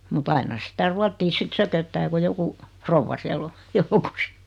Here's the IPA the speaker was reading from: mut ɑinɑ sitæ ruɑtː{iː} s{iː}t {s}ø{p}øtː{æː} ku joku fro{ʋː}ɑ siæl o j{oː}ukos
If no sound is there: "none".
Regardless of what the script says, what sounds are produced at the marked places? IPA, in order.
iː, i, s, k, æː, ʋː, o

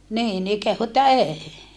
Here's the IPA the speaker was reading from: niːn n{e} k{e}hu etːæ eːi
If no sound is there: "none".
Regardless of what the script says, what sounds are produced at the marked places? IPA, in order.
i, e

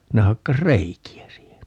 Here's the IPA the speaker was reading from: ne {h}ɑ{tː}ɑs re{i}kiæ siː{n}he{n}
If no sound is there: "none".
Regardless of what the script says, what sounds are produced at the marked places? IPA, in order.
h, kː, i, none, n

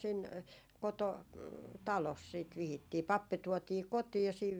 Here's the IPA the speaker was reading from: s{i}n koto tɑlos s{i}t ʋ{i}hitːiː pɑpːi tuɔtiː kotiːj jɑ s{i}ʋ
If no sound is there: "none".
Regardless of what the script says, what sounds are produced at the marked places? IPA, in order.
i, iː, i, iː

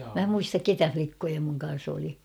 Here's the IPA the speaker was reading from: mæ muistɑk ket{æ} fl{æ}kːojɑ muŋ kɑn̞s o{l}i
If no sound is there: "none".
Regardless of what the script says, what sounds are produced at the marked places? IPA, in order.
æ, i, l

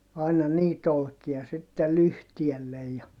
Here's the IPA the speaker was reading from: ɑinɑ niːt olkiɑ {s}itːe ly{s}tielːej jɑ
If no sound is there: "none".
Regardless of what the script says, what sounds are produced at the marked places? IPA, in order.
s, h

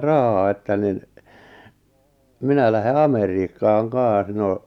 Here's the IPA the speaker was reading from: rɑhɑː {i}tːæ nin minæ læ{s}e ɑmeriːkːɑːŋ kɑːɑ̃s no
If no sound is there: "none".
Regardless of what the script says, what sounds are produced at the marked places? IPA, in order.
e, h

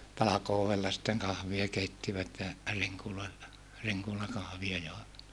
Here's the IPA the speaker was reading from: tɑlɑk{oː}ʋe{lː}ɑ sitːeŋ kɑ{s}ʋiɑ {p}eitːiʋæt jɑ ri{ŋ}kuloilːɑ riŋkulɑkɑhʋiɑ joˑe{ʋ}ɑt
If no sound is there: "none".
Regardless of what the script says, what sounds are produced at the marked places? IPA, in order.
oː, lː, h, k, ŋ, ʋ

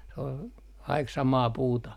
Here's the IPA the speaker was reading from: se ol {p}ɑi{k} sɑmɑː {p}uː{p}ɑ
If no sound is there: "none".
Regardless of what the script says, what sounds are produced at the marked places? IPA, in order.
k, k, p, t

